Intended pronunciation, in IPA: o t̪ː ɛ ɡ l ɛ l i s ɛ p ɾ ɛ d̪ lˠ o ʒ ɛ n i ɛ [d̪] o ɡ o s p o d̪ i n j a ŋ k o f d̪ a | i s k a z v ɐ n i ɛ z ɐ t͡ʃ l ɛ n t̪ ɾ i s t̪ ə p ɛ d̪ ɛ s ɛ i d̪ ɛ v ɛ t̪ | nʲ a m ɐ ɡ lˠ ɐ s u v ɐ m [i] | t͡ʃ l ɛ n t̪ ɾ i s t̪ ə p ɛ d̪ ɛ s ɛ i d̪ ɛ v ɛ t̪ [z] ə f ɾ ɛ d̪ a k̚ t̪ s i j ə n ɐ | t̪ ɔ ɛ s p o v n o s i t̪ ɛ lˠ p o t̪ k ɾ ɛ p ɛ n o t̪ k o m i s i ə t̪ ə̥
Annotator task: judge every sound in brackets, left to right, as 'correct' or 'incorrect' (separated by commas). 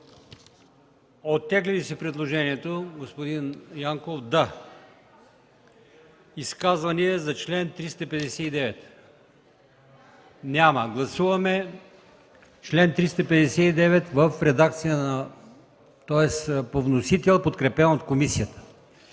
incorrect, incorrect, incorrect